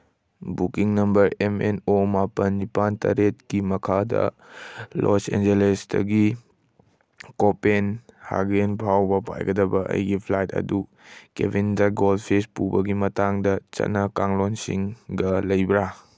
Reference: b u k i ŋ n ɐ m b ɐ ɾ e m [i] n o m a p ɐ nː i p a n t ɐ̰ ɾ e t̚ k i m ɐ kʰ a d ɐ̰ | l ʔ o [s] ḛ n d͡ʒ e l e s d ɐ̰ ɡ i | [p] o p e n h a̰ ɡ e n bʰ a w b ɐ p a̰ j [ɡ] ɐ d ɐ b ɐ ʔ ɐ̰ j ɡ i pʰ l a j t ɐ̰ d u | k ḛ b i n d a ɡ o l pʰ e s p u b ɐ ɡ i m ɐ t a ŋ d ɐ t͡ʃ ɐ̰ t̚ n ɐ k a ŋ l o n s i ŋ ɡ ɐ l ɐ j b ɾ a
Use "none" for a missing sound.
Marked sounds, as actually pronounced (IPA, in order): e, s, k, ɡ

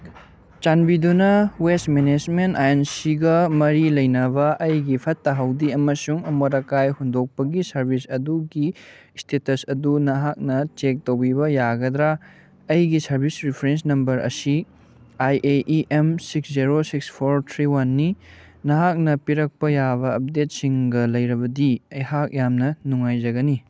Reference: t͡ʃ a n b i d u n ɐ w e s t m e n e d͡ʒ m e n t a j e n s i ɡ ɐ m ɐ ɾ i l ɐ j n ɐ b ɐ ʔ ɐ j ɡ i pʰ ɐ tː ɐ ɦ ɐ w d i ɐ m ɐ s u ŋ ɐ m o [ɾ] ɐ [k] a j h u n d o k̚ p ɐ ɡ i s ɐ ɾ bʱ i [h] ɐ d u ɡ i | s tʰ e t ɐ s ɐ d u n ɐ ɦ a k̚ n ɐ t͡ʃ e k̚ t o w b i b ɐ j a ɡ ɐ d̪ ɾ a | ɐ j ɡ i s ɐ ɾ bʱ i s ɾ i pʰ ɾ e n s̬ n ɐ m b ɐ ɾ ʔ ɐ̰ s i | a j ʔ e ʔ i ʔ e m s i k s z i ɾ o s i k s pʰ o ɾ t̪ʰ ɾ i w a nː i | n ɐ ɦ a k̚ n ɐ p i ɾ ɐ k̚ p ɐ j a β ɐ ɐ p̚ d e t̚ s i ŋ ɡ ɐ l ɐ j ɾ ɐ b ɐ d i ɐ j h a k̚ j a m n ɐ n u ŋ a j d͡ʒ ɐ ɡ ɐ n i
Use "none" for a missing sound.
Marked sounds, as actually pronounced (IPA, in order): ɾ, k, s

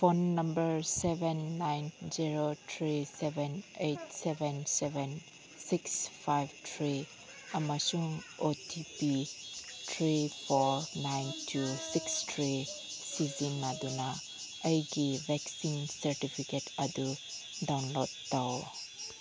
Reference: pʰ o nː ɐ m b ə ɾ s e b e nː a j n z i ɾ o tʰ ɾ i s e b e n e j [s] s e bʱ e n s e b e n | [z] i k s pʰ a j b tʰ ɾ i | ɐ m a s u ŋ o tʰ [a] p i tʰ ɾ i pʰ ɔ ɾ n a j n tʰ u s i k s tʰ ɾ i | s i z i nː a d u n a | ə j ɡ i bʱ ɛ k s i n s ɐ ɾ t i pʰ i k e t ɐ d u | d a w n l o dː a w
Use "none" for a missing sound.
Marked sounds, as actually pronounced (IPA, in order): t, s, i

